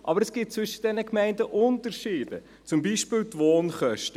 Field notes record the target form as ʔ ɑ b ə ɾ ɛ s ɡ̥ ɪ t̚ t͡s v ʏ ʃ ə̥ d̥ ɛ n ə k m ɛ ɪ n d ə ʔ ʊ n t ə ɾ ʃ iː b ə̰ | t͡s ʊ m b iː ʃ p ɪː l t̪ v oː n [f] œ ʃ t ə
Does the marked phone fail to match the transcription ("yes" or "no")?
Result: yes